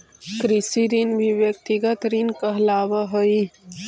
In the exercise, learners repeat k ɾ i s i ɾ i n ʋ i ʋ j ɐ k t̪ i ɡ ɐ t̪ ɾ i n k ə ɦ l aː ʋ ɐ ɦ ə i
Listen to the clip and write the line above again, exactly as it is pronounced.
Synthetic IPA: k ɾ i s i ɾ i n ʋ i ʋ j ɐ k t̪ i ɡ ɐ t̪ ɾ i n k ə ɦ l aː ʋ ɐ ɦ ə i